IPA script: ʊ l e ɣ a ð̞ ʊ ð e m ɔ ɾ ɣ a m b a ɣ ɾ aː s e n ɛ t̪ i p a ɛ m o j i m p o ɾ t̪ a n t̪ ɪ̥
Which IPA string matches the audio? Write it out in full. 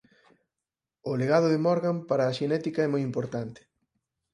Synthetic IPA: ʊ l e ɣ a ð̞ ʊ ð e m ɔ ɾ ɣ a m p a ɾ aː ʃ e n ɛ t̪ i k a ɛ m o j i m p o ɾ t̪ a n t̪ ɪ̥